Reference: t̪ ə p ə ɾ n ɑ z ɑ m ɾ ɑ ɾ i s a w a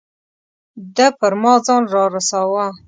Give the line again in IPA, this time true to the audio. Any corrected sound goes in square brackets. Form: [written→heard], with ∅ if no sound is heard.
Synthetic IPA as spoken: [t̪→d̪] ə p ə ɾ [n→m] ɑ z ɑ [m→n] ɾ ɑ ɾ [i→a] s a w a